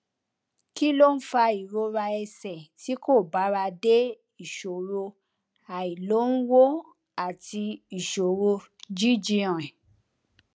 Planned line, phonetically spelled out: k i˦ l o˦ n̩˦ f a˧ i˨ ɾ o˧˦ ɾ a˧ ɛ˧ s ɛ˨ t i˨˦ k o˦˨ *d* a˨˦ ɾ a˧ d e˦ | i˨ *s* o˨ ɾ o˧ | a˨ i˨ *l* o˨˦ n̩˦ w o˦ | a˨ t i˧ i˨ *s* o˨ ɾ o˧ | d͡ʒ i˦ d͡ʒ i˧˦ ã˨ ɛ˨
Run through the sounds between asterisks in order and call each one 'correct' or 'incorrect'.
incorrect: b, incorrect: ʃ, correct, incorrect: ʃ

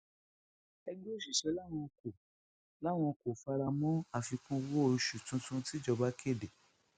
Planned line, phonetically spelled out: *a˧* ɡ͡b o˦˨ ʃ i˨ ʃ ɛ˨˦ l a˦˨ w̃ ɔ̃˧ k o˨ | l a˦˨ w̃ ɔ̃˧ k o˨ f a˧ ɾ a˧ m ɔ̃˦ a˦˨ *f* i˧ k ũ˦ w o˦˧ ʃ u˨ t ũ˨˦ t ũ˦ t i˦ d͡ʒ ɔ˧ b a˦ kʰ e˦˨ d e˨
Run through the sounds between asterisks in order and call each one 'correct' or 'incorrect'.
incorrect: ɛ˧, correct

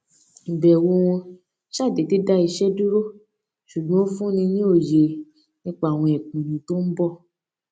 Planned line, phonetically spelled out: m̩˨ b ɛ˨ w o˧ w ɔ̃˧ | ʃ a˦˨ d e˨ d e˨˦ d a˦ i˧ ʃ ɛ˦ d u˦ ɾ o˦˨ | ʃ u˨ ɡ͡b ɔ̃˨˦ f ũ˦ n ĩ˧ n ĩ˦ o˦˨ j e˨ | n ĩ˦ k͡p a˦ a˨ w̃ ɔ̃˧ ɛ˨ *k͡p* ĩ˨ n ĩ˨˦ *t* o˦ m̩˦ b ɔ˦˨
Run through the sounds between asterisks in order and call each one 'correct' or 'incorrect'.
correct, correct

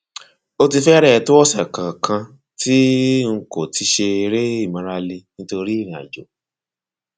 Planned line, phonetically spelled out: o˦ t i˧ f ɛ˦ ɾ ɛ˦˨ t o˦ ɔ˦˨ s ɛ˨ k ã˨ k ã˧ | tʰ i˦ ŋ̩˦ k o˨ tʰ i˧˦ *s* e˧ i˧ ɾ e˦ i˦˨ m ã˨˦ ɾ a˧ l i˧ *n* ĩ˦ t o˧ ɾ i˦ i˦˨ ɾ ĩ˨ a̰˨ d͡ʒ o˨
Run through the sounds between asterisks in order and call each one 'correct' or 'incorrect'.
incorrect: ʃ, correct

